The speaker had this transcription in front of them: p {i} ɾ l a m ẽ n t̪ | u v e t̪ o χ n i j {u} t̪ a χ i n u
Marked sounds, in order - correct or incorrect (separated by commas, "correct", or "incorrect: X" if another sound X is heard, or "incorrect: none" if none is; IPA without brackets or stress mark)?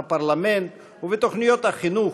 incorrect: a, incorrect: o